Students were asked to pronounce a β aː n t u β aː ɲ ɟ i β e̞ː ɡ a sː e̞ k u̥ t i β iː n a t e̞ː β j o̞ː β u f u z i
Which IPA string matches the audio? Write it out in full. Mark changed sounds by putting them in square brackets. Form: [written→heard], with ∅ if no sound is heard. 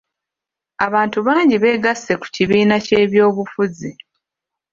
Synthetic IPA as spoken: a β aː n t u β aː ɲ ɟ i β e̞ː ɡ a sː e̞ k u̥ [t→c] i β iː n a [t→c] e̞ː β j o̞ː β u f u z i